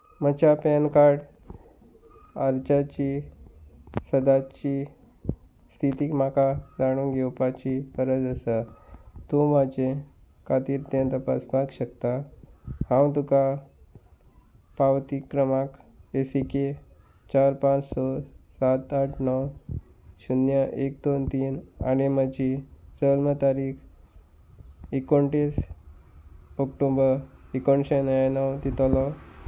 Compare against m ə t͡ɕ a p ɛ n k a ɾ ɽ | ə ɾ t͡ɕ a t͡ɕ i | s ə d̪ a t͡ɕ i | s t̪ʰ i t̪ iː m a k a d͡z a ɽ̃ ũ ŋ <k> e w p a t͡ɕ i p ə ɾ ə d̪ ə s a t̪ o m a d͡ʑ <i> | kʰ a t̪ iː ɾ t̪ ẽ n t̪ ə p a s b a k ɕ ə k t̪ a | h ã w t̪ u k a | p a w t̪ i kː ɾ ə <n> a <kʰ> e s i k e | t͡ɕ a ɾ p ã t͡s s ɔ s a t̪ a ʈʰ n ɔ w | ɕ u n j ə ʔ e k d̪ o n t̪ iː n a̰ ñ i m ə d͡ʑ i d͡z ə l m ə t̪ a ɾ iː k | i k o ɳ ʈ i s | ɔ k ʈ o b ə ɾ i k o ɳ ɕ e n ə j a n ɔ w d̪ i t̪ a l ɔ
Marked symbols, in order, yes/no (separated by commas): no, no, no, no